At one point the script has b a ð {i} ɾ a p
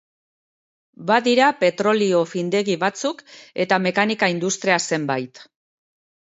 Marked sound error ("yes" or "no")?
no